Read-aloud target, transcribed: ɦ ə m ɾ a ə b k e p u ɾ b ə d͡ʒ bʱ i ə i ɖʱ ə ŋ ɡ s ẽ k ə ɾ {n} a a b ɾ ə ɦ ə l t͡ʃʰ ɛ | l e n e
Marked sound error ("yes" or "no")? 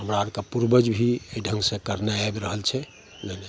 no